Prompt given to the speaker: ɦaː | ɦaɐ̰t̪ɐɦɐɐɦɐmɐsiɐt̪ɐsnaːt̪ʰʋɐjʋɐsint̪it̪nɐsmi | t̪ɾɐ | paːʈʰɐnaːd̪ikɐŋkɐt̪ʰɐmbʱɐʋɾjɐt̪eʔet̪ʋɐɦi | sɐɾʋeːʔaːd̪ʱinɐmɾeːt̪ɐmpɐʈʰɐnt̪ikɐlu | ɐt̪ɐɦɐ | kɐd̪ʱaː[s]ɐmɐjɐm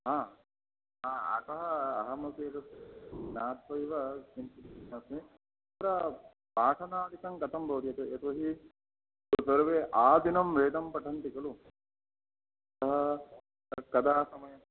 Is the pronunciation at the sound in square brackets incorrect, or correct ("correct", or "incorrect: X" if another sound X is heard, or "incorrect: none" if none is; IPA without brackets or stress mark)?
correct